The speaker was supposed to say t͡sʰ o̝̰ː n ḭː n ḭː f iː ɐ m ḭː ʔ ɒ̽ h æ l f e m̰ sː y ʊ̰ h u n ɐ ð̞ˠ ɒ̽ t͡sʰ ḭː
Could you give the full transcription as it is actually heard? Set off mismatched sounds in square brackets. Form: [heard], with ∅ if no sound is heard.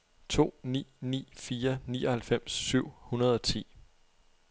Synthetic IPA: t͡sʰ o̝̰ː n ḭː n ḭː f iː ɐ [n] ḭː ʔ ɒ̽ h æ l f e m̰ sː y ʊ̰ h u n ɐ ð̞ˠ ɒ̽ t͡sʰ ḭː